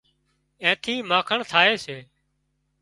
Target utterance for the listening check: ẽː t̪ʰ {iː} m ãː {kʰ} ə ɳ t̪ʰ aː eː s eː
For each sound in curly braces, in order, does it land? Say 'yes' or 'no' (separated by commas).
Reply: yes, yes